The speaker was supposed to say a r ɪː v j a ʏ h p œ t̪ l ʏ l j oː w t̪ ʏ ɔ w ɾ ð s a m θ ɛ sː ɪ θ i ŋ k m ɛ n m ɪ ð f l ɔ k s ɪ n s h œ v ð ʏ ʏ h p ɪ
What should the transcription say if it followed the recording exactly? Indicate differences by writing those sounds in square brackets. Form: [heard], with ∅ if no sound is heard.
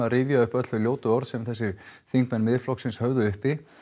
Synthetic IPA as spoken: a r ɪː v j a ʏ h p œ t̪ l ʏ l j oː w t̪ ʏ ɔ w ɾ ð s [ɛ] m θ ɛ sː ɪ θ i ŋ k m ɛ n m ɪ ð f l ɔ k s ɪ n s h œ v ð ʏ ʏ h p ɪ